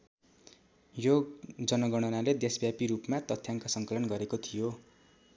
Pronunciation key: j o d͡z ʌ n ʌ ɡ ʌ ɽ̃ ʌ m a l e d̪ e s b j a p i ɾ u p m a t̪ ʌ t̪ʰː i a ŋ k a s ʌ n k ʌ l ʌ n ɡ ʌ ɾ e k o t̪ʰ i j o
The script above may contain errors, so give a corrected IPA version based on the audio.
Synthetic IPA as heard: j o d͡z ʌ n ʌ ɡ ʌ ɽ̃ ʌ n a l e d̪ e s b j a p i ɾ u p m a t̪ ʌ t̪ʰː j a ŋ k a s ʌ ŋ k ʌ l ʌ n ɡ ʌ ɾ e k o t̪ʰ i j o